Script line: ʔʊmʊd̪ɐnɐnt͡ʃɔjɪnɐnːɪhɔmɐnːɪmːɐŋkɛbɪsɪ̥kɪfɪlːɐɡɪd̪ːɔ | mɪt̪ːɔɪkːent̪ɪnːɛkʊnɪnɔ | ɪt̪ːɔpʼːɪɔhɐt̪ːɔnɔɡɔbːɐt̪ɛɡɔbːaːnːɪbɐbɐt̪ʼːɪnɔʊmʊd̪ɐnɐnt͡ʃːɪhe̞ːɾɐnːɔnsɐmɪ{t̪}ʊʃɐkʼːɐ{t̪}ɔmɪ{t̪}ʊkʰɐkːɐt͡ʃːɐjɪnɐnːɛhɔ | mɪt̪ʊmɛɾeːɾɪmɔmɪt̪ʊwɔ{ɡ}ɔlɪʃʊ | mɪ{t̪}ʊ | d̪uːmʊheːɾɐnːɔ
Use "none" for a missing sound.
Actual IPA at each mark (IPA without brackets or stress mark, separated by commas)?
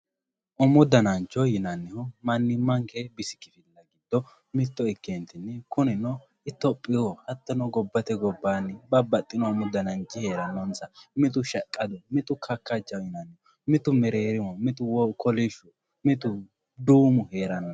t̪, d̪, t̪, k, t̪